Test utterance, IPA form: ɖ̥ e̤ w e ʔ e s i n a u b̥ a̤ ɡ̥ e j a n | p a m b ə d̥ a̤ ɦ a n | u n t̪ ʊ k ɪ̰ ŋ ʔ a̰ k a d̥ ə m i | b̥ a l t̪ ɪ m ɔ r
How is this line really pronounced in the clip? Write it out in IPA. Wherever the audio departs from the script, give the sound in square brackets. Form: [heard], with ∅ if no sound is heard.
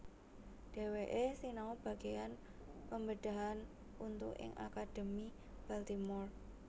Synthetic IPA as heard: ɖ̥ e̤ w e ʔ e s i n a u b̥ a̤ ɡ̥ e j a n | p [ə] m b ə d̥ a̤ ɦ a n | u n t̪ ʊ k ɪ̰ ŋ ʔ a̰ k a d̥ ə m i | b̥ a l t̪ [i] m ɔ r